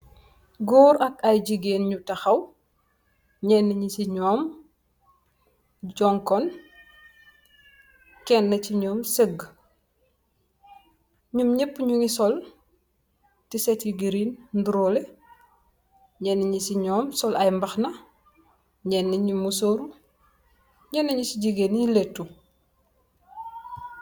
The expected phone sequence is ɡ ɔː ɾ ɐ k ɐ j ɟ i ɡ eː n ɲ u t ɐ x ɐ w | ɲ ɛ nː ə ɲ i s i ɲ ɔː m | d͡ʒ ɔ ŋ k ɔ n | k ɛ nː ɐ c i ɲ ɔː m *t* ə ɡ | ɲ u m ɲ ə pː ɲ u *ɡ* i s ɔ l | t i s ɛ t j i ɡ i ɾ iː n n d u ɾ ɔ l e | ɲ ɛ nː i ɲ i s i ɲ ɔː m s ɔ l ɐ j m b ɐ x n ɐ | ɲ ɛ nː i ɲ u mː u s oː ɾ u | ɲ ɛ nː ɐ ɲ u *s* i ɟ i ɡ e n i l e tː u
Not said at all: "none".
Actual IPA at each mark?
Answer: s, ŋ, s

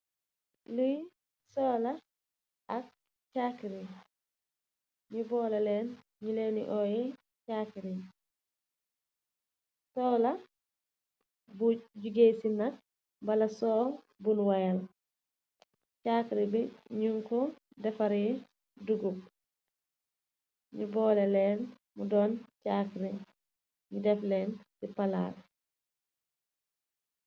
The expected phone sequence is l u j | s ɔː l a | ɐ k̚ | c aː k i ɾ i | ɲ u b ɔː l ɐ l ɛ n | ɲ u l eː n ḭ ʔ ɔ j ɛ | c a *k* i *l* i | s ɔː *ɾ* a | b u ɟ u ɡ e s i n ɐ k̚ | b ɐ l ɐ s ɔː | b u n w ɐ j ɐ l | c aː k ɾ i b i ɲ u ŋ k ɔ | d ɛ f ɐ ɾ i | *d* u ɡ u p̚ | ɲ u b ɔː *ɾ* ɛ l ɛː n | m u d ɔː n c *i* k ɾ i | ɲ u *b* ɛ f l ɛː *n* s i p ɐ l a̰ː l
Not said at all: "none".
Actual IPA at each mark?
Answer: k, ɾ, l, d, l, a, d, n

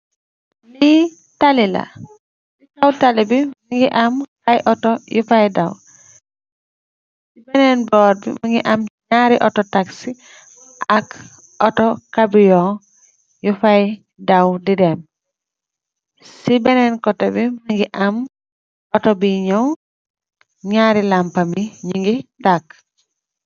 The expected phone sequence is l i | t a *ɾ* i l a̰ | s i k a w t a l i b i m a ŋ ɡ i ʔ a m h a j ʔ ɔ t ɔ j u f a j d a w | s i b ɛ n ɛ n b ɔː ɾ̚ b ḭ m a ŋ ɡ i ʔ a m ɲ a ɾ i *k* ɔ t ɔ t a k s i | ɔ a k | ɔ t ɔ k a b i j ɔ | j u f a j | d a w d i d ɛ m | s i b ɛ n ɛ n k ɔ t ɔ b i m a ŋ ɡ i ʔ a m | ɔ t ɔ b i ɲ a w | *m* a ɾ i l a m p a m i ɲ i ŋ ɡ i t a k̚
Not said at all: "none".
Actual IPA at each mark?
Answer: l, ʔ, ɲ

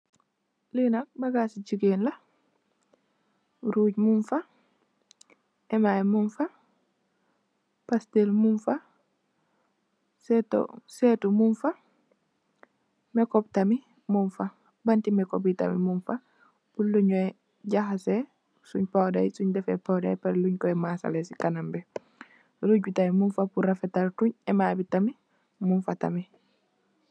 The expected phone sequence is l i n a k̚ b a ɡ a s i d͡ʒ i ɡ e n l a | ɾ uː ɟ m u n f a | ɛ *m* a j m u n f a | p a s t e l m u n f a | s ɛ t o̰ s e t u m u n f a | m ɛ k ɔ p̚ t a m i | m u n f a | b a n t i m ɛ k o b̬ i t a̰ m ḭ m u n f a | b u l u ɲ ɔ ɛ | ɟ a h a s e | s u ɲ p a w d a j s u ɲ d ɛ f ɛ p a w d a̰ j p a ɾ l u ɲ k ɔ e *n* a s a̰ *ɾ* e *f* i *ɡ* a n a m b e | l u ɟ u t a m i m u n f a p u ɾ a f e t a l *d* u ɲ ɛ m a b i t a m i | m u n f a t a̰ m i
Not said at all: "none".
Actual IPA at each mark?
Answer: m, m, l, s, k, t

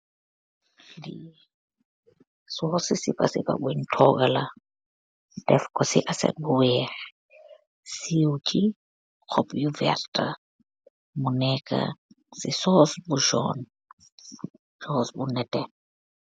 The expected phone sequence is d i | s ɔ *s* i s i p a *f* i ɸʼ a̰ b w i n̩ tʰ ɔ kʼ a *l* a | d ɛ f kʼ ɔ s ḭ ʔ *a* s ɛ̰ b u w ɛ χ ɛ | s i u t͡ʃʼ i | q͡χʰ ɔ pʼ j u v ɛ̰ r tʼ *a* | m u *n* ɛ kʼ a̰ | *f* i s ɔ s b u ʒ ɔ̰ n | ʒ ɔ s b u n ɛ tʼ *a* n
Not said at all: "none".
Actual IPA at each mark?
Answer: s, s, l, a, a, n, s, ɛ

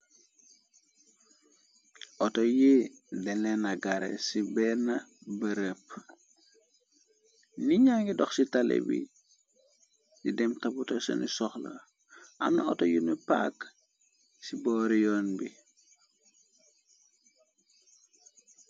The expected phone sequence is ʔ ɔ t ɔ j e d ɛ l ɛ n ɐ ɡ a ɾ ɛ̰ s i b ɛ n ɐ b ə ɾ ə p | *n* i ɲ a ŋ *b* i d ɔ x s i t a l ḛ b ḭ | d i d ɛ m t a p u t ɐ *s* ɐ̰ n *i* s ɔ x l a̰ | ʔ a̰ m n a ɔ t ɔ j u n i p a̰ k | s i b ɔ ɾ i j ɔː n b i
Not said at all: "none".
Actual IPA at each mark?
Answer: n, ɡ, s, i

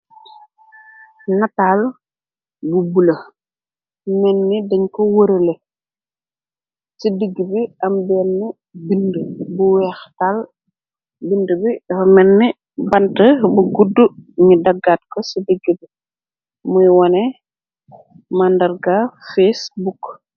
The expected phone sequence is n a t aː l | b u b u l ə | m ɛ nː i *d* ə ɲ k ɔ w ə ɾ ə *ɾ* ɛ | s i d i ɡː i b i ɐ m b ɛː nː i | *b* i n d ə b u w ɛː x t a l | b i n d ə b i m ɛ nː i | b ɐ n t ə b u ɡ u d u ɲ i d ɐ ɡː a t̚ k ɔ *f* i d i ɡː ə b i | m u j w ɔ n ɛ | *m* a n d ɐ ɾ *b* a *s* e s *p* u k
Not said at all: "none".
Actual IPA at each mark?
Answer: d, l, b, s, m, ɡ, f, b

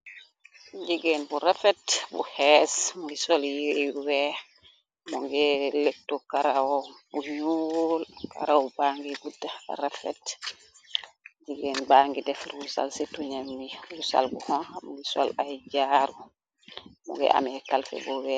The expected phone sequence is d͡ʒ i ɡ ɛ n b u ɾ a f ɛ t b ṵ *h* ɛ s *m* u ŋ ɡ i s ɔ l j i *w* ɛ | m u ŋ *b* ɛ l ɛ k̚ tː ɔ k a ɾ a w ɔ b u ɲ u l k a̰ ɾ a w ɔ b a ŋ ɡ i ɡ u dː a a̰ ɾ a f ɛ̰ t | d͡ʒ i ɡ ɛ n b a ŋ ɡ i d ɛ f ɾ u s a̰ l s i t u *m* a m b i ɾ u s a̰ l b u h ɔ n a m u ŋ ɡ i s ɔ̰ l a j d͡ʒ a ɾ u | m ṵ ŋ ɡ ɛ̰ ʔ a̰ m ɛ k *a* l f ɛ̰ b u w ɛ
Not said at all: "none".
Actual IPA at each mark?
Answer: h, m, w, ɡ, ɲ, a

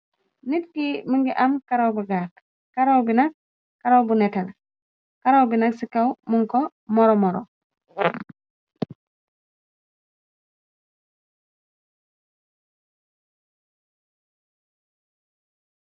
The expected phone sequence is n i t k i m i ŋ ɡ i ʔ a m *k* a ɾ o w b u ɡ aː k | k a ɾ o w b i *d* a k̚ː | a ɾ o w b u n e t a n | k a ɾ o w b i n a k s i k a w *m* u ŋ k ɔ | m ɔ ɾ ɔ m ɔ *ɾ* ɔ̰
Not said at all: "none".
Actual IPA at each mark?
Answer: k, n, m, ɾ

